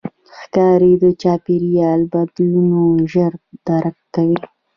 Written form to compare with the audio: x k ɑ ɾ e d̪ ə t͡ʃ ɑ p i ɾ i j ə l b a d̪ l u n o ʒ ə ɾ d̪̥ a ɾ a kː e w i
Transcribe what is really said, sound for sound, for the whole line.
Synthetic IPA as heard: x k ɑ ɾ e d̪ ə t͡ʃ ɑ p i ɾ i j ɑ l b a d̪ l u n o ʒ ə ɾ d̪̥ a ɾ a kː a w i